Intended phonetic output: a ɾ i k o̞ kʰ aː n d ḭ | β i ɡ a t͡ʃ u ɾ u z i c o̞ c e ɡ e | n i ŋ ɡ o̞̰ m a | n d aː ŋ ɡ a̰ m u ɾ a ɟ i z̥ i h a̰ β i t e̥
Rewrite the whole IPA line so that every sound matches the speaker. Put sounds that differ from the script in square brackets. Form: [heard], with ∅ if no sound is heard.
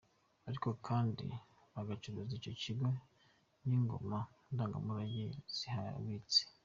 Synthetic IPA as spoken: a ɾ i k o̞ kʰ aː n d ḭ | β [a] ɡ a t͡ʃ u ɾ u z i c o̞ c [i] ɡ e | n i ŋ ɡ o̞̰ m a | n d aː ŋ ɡ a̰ m u ɾ a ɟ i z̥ i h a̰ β i [t͡s] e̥

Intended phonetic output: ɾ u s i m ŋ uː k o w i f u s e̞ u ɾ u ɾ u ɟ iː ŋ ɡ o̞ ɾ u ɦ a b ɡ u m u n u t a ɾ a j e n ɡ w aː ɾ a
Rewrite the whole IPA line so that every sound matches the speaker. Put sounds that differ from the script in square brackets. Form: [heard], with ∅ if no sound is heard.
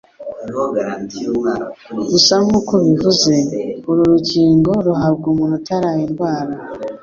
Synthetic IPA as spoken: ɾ u s [a] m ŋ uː k o [β] i [v] u [z] e̞ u ɾ u ɾ u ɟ iː ŋ ɡ o̞ ɾ u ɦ a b ɡ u m u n u t a ɾ a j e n ɡ w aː ɾ a

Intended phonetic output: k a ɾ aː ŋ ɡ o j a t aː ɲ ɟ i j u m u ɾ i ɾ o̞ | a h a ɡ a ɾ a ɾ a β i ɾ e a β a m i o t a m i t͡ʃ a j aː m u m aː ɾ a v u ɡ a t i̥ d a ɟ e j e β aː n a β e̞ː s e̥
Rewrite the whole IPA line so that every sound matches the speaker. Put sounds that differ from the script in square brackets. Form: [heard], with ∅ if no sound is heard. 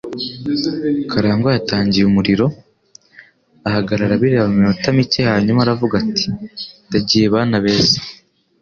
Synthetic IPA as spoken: k a ɾ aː ŋ ɡ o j a t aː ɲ ɟ i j u m u ɾ i ɾ o̞ | a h a ɡ a ɾ a ɾ a β i ɾ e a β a m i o t a m i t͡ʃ [e] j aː [ɲ] u m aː ɾ a v u ɡ a t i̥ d a ɟ [i] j e β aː n a β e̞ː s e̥

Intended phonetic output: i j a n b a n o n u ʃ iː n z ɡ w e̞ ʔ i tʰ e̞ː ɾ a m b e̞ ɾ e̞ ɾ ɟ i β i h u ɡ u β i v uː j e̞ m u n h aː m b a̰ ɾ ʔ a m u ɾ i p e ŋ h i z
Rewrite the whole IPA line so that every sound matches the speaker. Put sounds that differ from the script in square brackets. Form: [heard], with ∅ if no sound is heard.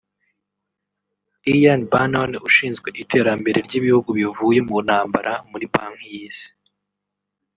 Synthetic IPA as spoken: i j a n b a n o n u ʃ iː n z ɡ w e̞ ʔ i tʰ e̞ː ɾ a m b e̞ ɾ e̞ ɾ ɟ i β i h u ɡ u β i v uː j e̞ m u n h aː m b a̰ ɾ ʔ a m u ɾ i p [a] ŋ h i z

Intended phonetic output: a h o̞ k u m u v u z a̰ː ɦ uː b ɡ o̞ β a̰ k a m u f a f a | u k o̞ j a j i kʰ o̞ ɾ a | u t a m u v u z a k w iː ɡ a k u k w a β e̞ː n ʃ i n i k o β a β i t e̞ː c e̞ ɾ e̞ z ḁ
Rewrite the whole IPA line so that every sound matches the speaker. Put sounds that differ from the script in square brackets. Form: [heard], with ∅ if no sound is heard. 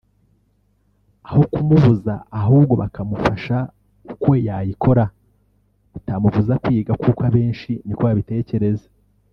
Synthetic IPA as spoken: a h o̞ k u m u v u z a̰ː ɦ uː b ɡ o̞ β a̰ k a m u f a [ʃ] a | u k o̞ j a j i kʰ o̞ ɾ a | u t a m u v u z a k w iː ɡ a k u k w a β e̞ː n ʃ i n i k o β a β i t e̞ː c e̞ ɾ e̞ z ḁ

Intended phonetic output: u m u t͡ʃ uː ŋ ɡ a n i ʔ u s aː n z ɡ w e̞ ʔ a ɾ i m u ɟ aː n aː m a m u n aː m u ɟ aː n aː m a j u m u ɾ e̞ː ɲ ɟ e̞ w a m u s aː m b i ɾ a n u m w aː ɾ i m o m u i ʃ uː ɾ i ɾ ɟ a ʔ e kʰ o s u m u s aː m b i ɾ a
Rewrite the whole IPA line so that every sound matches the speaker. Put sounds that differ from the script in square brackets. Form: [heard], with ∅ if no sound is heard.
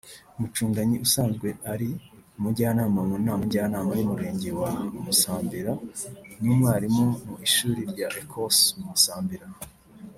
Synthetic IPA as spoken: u m u t͡ʃ uː ŋ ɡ a [ɲ] i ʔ u s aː n z ɡ w e̞ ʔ a ɾ i m u ɟ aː n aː m a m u n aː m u ɟ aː n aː m a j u m u ɾ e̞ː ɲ ɟ e̞ w a m u s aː m b i ɾ a n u m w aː ɾ i m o m u i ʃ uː ɾ i ɾ ɟ a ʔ e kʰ o s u m u s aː m b i ɾ a

